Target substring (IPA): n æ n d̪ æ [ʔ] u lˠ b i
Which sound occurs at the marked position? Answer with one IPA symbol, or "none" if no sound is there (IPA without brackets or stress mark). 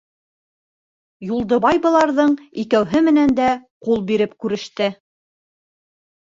q